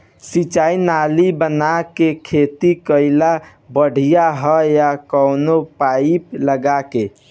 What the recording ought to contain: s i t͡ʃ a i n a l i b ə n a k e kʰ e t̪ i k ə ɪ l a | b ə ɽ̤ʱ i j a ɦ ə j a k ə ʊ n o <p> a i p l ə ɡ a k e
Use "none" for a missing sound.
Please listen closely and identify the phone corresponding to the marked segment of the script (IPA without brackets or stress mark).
p